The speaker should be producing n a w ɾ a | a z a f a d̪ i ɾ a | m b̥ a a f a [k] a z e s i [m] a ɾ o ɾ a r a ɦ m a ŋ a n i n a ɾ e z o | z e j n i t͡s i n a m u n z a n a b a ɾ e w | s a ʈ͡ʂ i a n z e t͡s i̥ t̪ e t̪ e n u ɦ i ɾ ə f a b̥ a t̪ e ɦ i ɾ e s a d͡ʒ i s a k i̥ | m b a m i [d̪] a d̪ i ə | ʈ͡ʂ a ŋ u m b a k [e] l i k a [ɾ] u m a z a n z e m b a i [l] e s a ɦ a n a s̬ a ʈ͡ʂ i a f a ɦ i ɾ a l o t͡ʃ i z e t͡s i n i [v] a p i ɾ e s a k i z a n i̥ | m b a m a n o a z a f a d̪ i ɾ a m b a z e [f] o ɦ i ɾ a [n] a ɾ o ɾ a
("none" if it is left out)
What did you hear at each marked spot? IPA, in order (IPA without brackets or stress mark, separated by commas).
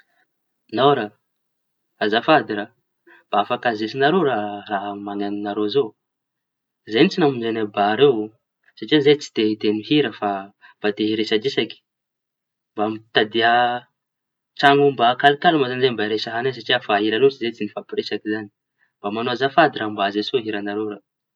k, n, t̪, a, l, ɾ, f, s, n